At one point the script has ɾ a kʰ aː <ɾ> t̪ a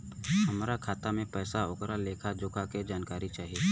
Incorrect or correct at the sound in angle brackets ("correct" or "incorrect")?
incorrect